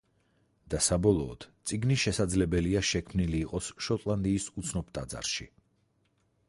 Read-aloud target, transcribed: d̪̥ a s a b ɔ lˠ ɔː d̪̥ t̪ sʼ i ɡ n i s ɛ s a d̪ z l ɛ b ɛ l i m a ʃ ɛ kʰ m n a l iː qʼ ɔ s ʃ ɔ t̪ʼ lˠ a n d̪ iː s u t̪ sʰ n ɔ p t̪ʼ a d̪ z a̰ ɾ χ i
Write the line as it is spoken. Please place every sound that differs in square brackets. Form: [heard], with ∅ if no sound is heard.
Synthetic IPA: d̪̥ a s a b ɔ lˠ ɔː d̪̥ t̪ sʼ i ɡ n i [ʃ] ɛ s a d̪ z l ɛ b ɛ l i [∅] a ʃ ɛ kʰ m n [i] l iː qʼ ɔ s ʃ ɔ t̪ʼ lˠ a n d̪ iː s u t̪ sʰ n ɔ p t̪ʼ a d̪ z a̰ ɾ [ʃ] i